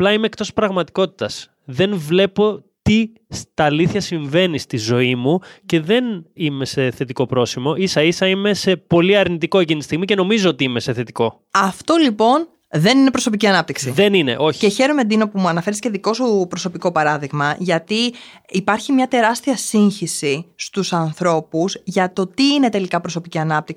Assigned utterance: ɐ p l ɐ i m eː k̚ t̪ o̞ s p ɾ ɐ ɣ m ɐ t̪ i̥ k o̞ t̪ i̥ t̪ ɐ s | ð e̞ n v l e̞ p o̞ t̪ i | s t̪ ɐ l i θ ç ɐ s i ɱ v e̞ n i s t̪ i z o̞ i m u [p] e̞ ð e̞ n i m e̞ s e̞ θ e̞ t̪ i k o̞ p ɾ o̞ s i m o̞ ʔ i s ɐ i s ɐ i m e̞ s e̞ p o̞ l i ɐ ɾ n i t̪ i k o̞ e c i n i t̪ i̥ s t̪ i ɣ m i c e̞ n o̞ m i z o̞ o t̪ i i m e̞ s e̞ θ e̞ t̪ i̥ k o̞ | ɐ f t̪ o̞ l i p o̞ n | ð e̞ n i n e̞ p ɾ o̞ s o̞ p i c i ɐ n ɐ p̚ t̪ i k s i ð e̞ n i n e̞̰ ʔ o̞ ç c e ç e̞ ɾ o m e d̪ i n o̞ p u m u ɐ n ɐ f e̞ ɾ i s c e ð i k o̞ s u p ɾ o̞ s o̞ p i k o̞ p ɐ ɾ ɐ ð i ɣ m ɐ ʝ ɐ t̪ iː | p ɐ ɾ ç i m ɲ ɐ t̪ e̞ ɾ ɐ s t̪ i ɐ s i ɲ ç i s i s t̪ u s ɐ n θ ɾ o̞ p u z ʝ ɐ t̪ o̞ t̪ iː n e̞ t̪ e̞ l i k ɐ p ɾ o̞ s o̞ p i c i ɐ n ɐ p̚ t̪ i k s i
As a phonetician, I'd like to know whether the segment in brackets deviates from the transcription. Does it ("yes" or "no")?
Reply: yes